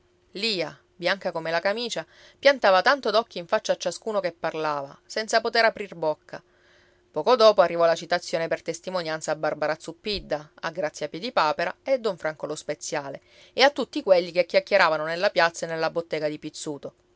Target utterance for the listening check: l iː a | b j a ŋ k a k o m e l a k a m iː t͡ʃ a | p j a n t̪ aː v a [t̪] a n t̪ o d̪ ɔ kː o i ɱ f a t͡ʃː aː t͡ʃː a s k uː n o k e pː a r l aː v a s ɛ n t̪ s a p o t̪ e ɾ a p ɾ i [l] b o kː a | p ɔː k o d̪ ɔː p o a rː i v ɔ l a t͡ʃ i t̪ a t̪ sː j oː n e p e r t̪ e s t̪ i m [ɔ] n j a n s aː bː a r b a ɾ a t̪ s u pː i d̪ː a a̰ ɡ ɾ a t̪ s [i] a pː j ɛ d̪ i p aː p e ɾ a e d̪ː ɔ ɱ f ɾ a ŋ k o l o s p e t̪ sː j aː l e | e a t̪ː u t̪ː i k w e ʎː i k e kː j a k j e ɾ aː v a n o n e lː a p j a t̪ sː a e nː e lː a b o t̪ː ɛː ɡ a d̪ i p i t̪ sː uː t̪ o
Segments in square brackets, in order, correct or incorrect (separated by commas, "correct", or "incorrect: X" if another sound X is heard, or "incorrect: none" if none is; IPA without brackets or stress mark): correct, incorrect: r, incorrect: o, incorrect: j